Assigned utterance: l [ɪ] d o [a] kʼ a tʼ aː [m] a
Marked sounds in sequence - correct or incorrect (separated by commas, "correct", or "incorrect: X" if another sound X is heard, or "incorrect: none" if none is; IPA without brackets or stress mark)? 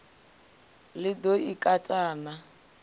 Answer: correct, incorrect: i, incorrect: n